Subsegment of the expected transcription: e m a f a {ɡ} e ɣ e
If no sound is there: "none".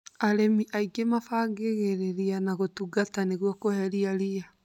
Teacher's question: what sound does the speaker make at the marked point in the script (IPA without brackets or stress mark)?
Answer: ɡ